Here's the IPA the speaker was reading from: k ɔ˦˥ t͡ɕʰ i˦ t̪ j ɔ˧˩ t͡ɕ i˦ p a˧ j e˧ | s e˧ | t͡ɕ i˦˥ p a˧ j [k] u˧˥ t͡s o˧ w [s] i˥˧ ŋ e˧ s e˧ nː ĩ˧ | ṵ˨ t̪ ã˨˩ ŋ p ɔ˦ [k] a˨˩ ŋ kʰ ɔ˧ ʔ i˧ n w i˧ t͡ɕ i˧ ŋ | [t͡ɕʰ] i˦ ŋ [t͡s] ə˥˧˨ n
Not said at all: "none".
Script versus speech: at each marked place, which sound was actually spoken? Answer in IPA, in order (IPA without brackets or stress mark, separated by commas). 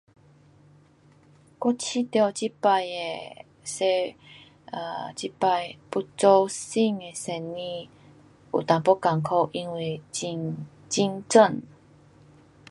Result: p, s, k, t͡ɕ, t͡s